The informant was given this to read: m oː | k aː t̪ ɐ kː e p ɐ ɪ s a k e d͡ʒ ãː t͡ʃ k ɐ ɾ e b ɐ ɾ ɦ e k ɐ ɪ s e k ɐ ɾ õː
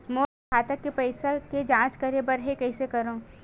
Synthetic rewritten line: m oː | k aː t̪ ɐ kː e p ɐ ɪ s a k e d͡ʒ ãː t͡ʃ k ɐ ɾ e b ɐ ɾ ɦ e k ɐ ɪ s e k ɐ ɾ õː